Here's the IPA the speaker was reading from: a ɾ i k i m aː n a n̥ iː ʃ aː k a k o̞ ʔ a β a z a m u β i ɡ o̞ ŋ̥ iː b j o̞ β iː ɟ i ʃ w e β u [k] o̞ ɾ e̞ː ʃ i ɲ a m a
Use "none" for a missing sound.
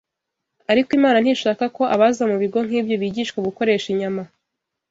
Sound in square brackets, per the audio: k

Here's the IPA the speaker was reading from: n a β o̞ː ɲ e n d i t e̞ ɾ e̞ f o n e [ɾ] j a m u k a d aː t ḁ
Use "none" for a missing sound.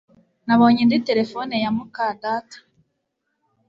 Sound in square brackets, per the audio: none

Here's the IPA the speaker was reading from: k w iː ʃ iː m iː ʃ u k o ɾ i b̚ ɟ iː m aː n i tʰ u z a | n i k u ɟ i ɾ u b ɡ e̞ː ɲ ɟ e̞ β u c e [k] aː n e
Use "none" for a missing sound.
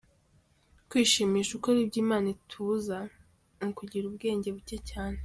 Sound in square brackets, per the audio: c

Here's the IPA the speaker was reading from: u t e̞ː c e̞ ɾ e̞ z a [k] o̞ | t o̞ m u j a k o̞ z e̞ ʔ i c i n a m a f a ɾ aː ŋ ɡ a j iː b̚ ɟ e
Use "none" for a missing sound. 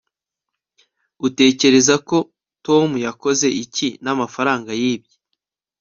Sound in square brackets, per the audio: k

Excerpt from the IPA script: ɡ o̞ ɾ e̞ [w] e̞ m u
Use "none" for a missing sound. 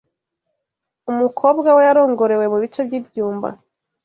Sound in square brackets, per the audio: w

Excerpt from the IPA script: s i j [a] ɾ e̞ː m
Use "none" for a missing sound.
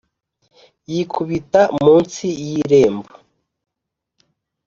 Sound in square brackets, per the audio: i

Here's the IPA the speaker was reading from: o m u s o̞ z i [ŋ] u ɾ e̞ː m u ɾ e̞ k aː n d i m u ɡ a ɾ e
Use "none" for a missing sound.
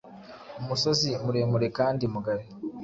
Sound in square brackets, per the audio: m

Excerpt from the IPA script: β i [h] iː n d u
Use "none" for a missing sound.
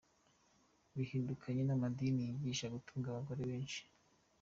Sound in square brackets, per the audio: h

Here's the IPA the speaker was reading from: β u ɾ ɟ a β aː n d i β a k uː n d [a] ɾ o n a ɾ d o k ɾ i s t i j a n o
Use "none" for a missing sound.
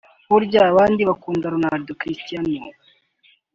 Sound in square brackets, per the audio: a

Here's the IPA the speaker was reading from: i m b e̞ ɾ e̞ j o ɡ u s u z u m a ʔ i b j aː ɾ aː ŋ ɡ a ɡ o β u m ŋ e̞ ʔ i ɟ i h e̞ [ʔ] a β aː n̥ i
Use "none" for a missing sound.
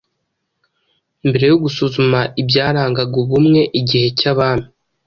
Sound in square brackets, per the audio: c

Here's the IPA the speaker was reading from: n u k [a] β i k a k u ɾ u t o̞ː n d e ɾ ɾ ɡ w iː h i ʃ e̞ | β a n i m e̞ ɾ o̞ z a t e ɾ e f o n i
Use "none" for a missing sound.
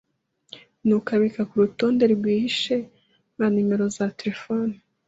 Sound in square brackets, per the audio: a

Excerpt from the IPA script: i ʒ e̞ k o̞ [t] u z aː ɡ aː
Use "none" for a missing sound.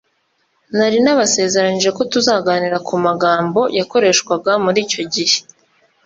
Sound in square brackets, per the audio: t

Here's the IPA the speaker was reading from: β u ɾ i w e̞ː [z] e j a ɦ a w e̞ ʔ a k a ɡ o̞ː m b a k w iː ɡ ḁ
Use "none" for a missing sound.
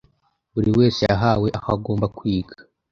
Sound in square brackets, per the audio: s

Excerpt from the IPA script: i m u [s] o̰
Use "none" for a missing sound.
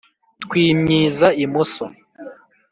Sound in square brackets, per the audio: s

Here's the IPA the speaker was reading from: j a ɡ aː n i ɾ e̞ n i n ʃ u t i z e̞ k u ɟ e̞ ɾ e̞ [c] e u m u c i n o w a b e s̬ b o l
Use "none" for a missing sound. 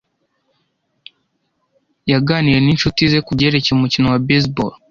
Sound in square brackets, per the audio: c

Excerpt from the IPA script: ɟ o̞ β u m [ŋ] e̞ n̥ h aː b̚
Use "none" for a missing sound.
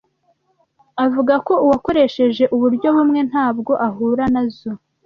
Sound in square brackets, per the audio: ŋ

